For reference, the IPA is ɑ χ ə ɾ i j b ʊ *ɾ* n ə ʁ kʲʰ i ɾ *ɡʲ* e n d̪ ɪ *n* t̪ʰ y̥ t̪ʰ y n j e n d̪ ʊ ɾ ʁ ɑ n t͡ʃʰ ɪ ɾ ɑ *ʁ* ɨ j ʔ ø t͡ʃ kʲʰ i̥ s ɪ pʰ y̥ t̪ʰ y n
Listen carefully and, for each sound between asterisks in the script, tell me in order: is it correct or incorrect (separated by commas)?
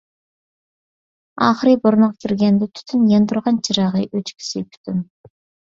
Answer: correct, correct, incorrect, correct